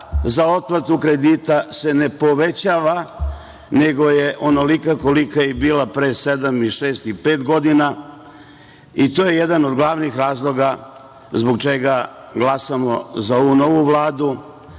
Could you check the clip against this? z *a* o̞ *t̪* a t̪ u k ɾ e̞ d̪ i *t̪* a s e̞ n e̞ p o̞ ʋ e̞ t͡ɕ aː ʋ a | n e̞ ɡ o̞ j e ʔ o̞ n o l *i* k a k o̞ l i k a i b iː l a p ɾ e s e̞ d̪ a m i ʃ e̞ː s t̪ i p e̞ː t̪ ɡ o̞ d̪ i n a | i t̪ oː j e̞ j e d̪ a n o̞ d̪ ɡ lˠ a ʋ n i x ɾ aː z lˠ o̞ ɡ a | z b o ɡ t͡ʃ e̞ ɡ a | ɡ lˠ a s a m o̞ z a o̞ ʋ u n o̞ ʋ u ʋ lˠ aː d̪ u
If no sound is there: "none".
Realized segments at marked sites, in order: a, t̪, t̪, i

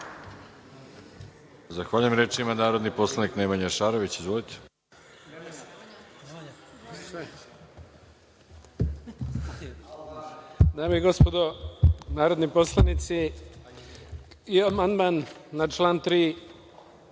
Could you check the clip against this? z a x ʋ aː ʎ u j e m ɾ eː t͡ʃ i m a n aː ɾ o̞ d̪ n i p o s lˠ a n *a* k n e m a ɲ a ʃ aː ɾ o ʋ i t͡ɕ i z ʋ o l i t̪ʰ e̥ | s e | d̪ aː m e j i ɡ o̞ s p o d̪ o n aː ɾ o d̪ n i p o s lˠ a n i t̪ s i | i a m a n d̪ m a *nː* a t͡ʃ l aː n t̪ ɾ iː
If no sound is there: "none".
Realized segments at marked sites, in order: i, nː

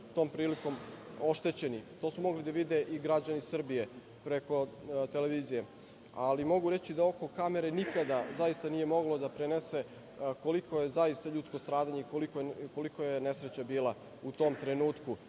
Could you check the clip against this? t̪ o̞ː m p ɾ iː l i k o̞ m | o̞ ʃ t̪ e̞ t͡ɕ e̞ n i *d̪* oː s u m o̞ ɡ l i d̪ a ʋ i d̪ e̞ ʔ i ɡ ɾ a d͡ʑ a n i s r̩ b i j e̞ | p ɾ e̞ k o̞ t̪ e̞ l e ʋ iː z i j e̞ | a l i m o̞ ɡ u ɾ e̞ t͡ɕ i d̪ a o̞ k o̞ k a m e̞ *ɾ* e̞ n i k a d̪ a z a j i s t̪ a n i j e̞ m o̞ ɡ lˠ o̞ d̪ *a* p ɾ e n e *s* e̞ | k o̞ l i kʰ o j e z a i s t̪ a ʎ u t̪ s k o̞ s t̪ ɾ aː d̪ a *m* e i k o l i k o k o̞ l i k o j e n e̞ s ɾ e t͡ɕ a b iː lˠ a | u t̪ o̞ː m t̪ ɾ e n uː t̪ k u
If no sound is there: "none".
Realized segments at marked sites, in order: t̪, ɾ, a, s, ɲ

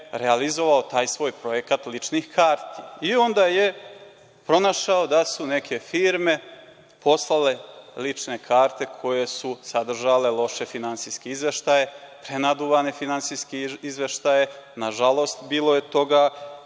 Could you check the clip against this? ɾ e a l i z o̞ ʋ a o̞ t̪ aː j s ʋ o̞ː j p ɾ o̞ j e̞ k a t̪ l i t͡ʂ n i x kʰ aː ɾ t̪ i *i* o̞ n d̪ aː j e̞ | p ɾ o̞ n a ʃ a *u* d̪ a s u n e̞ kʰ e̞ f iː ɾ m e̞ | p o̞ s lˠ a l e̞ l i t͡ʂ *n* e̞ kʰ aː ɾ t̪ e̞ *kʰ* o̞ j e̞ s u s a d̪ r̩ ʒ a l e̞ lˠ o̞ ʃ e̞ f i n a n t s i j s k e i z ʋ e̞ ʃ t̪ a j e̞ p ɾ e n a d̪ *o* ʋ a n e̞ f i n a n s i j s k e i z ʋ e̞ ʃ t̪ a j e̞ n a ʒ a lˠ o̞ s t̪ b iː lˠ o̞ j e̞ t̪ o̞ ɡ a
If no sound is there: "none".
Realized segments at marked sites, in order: i, o, n, kʰ, u

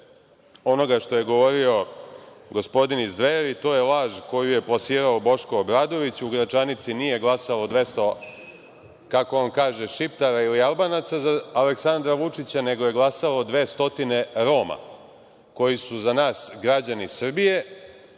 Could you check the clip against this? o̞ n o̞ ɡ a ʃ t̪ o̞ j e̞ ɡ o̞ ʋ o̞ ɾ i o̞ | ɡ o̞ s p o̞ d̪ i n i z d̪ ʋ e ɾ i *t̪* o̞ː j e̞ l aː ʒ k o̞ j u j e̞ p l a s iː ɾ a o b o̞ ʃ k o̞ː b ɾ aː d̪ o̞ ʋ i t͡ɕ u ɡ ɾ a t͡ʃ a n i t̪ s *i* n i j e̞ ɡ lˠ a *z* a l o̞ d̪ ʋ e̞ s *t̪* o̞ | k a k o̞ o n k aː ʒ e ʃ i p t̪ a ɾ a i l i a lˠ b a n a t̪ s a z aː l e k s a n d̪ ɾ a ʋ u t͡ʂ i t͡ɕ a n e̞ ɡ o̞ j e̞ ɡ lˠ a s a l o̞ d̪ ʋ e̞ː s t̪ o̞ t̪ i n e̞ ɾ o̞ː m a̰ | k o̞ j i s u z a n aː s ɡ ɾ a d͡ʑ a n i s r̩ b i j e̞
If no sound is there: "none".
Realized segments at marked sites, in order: t̪, i, s, t̪

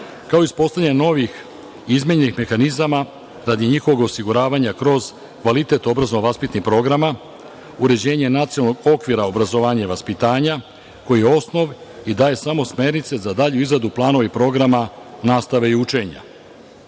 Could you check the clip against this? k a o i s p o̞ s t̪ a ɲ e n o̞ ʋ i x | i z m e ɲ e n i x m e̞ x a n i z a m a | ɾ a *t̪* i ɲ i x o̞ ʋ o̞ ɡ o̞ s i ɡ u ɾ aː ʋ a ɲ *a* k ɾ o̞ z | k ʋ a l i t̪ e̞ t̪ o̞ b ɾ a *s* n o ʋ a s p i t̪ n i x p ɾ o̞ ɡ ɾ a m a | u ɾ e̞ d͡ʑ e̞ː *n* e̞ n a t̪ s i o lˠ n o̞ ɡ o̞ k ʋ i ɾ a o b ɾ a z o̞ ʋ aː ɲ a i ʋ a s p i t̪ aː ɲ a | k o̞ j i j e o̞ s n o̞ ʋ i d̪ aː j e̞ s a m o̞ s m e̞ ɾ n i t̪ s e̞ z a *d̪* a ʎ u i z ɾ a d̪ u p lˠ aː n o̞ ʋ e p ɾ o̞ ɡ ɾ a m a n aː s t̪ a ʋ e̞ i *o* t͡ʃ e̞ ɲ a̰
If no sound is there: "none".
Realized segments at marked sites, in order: d̪, a, z, ɲ, d̪, u

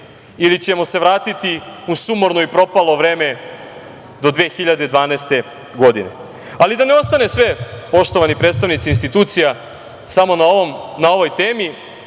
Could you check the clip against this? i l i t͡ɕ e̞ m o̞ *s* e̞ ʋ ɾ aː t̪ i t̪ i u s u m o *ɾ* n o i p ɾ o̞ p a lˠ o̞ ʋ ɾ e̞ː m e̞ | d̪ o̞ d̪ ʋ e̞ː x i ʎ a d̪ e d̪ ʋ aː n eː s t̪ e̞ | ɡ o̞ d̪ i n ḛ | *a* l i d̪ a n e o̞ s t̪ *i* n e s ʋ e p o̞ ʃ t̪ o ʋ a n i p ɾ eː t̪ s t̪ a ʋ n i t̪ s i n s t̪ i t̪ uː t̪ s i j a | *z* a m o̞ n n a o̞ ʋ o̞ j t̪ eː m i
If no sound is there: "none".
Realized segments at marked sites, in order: s, ɾ, a, a, s

